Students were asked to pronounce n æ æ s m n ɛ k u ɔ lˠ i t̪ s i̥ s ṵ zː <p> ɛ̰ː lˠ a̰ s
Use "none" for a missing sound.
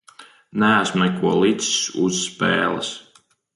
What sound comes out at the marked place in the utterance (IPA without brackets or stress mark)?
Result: p